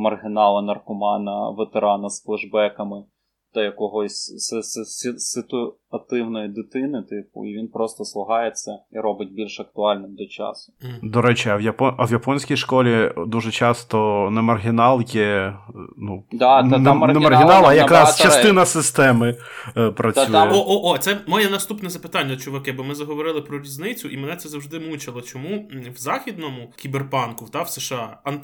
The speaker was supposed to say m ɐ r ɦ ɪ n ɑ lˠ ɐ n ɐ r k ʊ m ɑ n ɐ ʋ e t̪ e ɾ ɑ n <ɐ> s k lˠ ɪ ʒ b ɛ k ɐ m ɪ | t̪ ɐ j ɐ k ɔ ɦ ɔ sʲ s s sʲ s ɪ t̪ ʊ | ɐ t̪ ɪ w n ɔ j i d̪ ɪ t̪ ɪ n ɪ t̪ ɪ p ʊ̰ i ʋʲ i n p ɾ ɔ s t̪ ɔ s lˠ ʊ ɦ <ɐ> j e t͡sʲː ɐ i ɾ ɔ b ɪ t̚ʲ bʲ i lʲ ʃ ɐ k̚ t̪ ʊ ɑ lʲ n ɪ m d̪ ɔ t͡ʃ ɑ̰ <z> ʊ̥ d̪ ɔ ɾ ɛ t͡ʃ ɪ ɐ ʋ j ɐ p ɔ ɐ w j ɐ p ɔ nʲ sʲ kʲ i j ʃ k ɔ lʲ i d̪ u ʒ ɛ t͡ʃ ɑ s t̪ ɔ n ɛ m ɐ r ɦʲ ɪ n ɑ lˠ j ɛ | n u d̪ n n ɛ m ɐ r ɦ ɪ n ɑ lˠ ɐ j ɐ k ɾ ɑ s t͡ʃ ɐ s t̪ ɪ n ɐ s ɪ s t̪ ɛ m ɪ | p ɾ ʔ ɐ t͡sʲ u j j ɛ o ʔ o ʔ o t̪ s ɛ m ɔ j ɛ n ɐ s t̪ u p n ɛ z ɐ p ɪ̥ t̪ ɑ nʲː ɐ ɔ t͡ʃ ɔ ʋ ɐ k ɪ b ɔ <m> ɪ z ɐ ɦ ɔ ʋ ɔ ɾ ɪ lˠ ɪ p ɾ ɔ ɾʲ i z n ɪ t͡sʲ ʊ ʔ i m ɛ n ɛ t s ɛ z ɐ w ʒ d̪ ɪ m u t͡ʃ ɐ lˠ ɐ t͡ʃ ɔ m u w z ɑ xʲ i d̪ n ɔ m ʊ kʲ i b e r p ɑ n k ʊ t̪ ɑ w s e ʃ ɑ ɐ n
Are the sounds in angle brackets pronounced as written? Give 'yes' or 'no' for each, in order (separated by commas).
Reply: yes, no, no, yes